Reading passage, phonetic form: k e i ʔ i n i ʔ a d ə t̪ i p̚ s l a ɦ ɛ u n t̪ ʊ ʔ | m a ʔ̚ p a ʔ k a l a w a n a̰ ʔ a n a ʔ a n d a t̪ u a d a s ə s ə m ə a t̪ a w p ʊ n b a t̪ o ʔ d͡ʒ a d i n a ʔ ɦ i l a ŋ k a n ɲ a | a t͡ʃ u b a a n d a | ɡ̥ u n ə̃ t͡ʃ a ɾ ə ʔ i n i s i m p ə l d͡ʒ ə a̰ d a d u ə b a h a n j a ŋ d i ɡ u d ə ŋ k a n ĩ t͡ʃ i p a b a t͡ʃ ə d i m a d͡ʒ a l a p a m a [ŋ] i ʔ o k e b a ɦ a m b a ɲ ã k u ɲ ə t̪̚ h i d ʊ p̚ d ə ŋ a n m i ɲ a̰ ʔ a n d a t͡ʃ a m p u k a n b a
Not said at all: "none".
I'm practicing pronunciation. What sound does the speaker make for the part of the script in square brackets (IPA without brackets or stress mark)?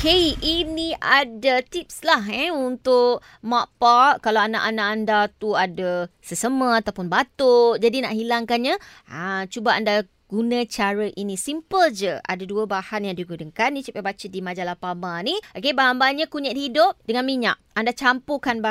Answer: n